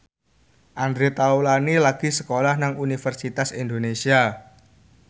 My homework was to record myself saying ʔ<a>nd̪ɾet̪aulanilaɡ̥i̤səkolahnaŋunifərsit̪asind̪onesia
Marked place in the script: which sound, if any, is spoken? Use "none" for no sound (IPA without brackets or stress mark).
a